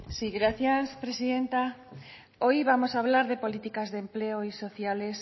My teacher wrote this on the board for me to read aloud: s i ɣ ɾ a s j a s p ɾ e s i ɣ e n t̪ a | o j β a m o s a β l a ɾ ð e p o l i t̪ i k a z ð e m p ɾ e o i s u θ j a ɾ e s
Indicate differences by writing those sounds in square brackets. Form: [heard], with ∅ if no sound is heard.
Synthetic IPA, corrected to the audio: s i ɣ ɾ a [θ] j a s p ɾ e s i [ð] e n t̪ a | o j β a m o s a β l a ɾ ð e p o l i t̪ i k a z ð e m p [l] e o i s [o] θ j a [l] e s